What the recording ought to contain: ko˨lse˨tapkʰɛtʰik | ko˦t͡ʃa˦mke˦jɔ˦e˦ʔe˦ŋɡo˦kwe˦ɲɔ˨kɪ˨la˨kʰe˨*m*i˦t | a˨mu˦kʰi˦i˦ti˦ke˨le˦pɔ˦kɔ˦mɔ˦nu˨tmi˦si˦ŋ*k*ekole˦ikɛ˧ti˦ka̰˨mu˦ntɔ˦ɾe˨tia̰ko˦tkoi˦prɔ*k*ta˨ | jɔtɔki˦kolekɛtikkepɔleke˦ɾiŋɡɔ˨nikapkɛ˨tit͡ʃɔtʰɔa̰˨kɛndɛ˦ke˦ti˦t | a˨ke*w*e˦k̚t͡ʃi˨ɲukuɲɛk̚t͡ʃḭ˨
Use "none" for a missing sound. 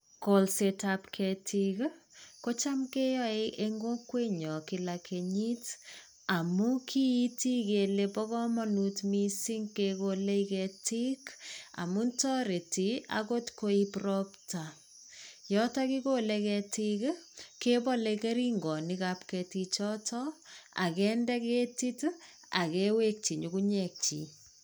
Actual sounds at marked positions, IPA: ɲ, k, p, w

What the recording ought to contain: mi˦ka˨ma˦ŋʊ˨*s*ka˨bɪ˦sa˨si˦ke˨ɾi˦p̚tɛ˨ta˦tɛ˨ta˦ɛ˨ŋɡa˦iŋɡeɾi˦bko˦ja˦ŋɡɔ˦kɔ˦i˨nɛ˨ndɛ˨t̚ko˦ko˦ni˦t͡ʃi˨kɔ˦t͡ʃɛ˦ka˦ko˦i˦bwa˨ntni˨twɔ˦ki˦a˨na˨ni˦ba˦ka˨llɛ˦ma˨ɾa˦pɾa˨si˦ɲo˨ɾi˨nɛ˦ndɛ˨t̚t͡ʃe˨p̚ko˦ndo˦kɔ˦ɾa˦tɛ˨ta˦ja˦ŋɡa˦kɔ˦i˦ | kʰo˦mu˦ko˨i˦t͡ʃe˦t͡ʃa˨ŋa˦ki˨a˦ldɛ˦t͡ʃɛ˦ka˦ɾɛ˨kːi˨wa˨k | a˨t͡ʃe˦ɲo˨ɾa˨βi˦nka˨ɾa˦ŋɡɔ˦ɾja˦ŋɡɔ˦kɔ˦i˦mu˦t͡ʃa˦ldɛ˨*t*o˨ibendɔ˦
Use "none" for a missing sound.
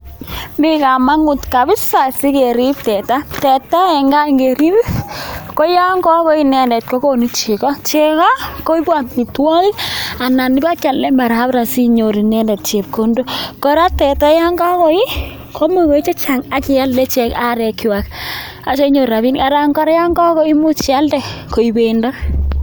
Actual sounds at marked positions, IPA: t, k

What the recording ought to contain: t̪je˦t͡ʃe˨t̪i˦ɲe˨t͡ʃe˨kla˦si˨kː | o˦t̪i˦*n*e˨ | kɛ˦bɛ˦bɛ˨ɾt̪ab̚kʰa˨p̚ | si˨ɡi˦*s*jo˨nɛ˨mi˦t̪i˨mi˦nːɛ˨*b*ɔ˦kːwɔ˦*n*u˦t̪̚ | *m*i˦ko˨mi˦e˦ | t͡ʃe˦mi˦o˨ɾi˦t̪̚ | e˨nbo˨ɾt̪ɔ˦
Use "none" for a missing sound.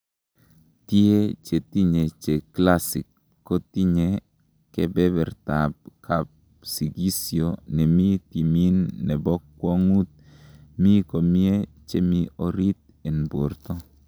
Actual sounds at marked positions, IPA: ɲ, s, b, ŋ, m

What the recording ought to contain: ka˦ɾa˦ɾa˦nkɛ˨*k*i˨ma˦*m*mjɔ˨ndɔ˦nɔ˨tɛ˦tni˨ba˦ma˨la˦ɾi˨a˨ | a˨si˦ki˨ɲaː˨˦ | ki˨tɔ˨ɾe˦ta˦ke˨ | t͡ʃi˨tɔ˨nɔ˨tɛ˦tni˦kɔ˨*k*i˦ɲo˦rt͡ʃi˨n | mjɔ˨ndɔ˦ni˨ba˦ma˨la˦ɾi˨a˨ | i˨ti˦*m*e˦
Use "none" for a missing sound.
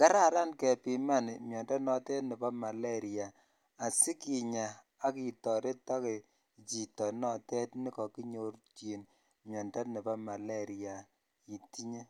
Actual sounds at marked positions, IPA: p, n, k, ɲ

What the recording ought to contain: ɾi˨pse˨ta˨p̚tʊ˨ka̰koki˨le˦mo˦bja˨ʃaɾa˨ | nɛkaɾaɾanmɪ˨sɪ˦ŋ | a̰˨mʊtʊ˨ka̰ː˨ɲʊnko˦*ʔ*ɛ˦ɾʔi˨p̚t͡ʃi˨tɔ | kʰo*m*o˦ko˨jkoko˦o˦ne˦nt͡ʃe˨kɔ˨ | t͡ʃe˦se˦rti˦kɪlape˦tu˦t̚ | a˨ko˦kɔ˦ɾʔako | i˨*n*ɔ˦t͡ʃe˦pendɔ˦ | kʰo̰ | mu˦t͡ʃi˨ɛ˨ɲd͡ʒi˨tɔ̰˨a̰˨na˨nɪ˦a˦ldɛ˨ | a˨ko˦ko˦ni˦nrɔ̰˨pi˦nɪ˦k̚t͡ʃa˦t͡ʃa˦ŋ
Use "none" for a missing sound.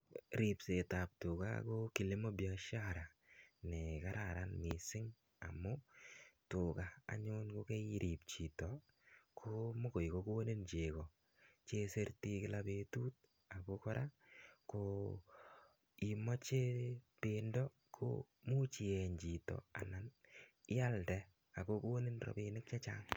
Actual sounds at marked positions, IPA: k, m, m

